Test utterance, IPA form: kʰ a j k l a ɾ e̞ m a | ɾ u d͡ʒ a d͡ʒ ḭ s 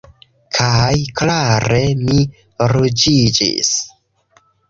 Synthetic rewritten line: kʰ a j k l a ɾ e̞ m i | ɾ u d͡ʒ i d͡ʒ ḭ s